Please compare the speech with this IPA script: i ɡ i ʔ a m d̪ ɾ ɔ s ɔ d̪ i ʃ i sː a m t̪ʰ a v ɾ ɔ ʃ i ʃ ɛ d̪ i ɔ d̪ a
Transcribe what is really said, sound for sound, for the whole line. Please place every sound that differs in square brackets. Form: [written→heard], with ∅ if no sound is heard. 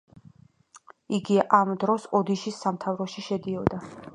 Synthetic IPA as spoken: i ɡ i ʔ a m d̪ ɾ ɔ s ɔ d̪ i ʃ i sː a m t̪ʰ a v ɾ ɔ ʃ i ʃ ɛ d̪ i ɔ d̪ a